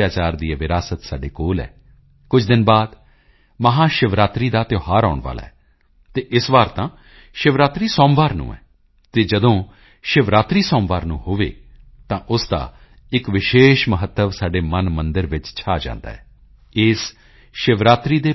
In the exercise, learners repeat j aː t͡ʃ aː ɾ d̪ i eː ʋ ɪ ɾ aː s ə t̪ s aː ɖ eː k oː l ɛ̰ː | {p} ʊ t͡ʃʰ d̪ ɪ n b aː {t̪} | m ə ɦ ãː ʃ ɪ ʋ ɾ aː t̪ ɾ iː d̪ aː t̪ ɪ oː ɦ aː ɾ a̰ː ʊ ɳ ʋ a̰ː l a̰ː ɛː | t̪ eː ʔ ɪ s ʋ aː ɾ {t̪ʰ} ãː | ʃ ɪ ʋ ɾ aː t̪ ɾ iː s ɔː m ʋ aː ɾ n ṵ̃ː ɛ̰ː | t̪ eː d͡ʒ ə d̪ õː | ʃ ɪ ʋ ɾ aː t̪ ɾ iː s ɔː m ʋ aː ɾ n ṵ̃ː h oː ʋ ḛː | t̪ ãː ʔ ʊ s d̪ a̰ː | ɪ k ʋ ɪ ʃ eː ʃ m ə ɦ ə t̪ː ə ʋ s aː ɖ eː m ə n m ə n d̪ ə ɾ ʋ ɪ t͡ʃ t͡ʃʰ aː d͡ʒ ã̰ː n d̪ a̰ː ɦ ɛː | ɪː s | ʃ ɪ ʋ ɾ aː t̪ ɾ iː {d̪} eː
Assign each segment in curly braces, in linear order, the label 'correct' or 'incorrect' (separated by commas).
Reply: incorrect, incorrect, incorrect, correct